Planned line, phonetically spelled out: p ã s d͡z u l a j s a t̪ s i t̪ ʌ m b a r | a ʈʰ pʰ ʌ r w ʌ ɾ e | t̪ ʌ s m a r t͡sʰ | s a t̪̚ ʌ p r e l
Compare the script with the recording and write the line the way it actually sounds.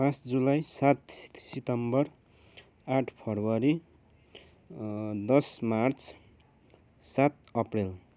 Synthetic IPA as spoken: p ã s d͡z u l a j s a t̪ s i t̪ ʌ m b ʌ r | a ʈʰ pʰ ʌ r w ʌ ɾ i | d̪ ʌ s m a r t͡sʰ | s a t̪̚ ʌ p r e l